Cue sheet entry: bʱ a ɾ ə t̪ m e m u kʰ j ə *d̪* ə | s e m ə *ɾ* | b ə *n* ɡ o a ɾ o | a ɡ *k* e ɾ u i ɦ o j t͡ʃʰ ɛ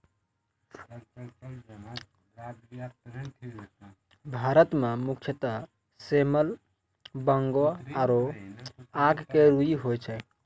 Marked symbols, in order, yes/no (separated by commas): no, no, no, yes